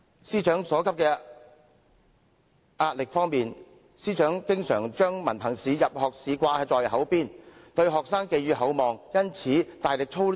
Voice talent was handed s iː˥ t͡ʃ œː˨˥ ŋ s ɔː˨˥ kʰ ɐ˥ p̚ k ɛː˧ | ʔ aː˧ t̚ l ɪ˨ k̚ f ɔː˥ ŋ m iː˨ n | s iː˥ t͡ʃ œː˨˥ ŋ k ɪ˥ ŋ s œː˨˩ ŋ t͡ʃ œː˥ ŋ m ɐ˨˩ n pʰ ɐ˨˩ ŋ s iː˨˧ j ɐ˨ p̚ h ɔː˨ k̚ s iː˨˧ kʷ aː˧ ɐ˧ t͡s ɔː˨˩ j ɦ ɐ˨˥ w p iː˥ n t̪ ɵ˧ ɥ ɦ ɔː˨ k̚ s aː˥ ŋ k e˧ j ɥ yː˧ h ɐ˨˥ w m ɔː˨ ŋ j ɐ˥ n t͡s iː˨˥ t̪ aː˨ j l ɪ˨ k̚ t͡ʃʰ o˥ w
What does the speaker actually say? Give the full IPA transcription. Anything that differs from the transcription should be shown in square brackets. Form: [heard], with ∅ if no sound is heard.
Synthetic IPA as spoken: s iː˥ t͡ʃ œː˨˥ ŋ s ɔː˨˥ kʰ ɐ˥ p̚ k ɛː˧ | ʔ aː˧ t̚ l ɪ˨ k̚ f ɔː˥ ŋ m iː˨ n | s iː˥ t͡ʃ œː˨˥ ŋ k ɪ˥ ŋ s œː˨˩ ŋ t͡ʃ œː˥ ŋ m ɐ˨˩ n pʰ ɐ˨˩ ŋ s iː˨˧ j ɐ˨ p̚ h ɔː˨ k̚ s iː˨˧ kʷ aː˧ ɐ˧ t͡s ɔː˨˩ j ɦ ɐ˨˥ w p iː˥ n t̪ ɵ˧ ɥ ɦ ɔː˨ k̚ s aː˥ ŋ k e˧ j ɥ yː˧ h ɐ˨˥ w m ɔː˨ ŋ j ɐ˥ n [t͡sʰ] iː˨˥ t̪ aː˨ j l ɪ˨ k̚ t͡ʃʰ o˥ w